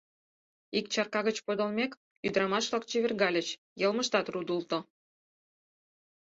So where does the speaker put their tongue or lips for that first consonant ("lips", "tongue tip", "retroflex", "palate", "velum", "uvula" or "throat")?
velum